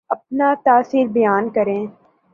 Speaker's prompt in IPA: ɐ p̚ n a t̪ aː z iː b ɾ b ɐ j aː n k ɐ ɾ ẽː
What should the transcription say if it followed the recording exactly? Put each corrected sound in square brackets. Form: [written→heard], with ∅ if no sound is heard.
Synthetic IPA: ɐ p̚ n a t̪ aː [z→s] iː [b→∅] ɾ b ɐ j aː n k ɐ ɾ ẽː